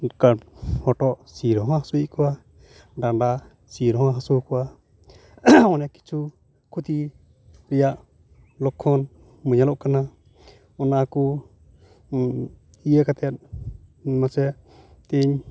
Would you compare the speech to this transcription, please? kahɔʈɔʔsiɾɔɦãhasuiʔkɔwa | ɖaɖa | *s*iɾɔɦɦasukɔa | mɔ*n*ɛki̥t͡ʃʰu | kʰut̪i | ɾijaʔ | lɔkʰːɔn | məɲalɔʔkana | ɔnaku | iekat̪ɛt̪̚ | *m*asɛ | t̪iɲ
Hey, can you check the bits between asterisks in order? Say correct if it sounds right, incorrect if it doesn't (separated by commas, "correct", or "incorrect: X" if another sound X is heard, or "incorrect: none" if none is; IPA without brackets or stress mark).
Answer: correct, correct, correct